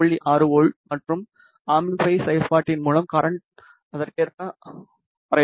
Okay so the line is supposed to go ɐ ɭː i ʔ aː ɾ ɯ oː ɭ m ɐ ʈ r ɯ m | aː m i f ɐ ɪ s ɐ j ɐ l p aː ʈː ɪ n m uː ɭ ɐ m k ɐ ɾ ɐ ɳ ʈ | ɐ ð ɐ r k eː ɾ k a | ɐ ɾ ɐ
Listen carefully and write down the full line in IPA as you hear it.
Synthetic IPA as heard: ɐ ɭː i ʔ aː ɾ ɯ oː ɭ m ɐ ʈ r ɯ m | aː m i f ɐ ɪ s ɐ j ɐ l p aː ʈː ɪ n m uː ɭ ɐ m k ɐ ɾ ɐ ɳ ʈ | ɐ ð ɐ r k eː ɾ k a | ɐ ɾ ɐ